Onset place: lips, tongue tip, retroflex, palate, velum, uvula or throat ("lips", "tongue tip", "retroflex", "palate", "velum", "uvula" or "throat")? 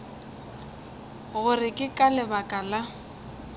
velum